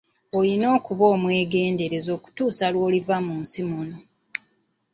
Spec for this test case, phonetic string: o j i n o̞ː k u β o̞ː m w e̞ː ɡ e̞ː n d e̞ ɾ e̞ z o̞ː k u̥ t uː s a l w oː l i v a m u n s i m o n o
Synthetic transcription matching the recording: o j i n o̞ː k u β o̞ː m w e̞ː ɡ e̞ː n d e̞ ɾ e̞ z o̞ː k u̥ t uː s a l w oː l i v a m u n s i m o n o

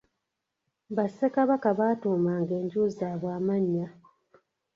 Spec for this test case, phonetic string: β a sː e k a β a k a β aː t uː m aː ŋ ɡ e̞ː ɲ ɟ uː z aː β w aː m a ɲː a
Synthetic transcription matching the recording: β a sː e k a β a k a β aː t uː m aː ŋ ɡ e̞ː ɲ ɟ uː z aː β w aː m a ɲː a

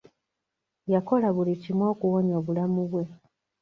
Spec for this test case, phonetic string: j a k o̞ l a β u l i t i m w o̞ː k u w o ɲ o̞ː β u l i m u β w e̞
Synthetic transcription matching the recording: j a k o̞ l a β u l i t i m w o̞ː k u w o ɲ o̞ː β u l a m u β w e̞

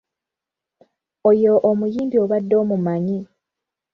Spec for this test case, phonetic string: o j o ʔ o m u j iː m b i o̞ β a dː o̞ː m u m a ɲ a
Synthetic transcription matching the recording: o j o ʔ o m u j iː m b i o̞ β a dː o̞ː m u m a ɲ i

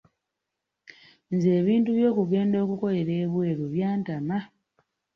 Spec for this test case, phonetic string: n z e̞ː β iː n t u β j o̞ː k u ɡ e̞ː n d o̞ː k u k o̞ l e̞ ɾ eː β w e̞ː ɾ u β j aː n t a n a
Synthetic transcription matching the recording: n z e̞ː β iː n t u β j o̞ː k u ɡ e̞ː n d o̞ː k u k o̞ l e̞ ɾ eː β w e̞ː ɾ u β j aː n t a m a

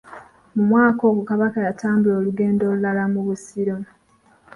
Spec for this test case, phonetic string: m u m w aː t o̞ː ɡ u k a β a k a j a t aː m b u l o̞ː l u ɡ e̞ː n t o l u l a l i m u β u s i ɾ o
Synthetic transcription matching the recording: m u m w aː k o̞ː ɡ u k a β a k a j a t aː m b u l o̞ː l u ɡ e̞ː n d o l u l a l a m u β u s i ɾ o

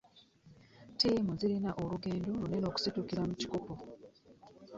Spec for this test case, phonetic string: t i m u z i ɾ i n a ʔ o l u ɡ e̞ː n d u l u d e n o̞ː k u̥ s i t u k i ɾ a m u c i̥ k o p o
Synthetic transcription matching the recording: t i m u z i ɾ i n a ʔ o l u ɡ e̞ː n d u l u n e n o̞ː k u̥ s i t u k i ɾ a m u c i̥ k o p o

